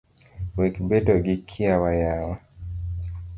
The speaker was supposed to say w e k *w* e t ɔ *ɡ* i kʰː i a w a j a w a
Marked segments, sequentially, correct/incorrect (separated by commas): incorrect, correct